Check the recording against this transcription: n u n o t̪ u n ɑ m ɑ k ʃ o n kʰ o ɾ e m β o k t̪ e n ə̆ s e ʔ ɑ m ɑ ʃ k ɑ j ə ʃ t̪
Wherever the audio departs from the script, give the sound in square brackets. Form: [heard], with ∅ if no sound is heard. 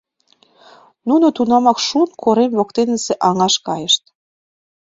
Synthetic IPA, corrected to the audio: n u n o t̪ u n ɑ m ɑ k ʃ [u] n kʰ o ɾ e m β o k t̪ e n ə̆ s e ʔ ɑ [ŋ] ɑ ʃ k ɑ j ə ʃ t̪